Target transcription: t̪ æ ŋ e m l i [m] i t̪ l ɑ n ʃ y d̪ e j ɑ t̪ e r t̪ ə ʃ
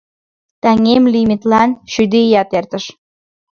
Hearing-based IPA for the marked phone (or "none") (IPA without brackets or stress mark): m